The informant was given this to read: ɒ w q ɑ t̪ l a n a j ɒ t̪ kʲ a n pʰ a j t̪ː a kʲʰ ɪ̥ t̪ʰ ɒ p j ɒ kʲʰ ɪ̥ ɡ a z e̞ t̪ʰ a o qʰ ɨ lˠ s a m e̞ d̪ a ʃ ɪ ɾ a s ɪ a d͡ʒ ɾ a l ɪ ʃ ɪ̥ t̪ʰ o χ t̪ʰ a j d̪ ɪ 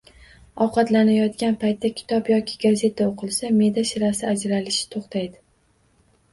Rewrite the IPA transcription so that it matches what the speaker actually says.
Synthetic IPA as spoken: ɒ w q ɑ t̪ l a n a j ɒ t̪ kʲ a n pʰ a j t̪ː a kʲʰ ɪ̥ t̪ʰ ɒ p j ɒ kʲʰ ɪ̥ ɡ a z e̞ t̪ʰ a o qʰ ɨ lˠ s a m e̞ d̪ a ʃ ɪ ɾ a s ɪ a d͡ʒ ɾ a l ɪ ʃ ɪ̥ t̪ʰ o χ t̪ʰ a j d̪ ɪ